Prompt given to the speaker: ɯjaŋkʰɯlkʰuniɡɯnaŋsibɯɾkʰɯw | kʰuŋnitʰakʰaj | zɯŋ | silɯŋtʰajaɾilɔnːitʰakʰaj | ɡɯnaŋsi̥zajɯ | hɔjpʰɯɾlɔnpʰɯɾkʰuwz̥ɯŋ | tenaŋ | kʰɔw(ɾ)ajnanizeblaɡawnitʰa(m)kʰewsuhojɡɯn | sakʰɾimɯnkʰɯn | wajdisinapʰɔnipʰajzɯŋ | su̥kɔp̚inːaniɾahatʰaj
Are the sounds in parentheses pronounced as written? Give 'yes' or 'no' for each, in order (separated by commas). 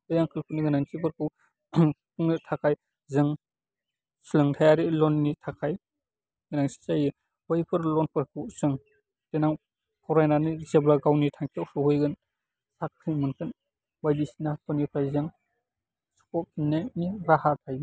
yes, no